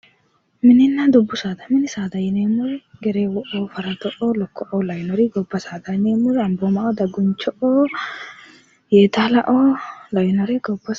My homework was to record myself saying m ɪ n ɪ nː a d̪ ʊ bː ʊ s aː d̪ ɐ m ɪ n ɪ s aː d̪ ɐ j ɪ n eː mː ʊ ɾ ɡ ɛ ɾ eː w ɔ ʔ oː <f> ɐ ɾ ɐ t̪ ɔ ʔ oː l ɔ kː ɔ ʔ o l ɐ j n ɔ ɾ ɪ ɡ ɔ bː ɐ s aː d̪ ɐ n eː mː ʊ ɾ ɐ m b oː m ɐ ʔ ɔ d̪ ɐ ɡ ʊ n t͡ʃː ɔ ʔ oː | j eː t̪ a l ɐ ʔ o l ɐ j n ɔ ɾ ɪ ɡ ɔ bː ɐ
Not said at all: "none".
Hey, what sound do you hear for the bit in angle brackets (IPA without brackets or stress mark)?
f